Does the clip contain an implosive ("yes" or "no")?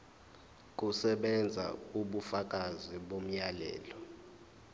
yes